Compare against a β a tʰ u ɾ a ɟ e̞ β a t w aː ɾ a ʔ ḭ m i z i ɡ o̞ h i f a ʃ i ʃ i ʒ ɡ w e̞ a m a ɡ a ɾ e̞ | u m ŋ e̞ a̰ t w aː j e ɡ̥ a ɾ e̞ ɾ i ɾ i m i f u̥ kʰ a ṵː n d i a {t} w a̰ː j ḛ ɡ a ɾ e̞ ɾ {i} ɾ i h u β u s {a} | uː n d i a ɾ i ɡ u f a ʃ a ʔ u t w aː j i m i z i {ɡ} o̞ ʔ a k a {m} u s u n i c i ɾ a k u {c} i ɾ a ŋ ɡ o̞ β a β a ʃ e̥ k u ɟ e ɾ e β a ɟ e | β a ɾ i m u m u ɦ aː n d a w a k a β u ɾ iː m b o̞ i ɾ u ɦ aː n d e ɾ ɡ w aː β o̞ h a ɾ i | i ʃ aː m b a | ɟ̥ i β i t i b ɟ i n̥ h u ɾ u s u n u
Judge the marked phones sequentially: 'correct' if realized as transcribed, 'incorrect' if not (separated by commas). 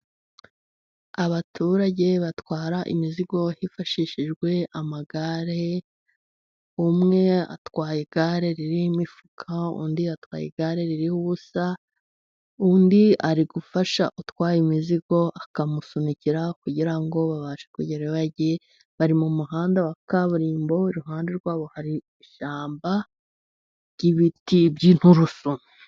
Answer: correct, correct, correct, correct, correct, incorrect